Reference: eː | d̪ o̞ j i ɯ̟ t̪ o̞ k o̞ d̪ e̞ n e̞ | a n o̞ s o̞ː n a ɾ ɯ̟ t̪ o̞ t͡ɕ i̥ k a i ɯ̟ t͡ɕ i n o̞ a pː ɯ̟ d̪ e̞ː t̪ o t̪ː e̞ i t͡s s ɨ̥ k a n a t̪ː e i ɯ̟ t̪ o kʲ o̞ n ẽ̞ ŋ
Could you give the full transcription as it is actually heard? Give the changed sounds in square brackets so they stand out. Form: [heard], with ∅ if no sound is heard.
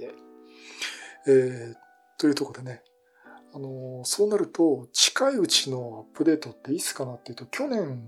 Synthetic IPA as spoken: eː | [t̪] o̞ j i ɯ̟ t̪ o̞ k o̞ d̪ e̞ n e̞ | a n o̞ s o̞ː n a ɾ ɯ̟ t̪ o̞ t͡ɕ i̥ k a i ɯ̟ t͡ɕ i n o̞ a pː ɯ̟ d̪ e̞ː t̪ o t̪ː e̞ i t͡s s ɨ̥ k a n a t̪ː e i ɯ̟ t̪ o kʲ o̞ n ẽ̞ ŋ